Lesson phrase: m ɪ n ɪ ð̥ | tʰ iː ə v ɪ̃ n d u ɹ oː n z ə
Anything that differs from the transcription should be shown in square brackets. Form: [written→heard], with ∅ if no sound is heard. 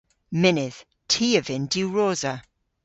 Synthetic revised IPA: m ɪ n ɪ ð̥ | tʰ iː ə v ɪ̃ n d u ɹ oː [n→∅] z ə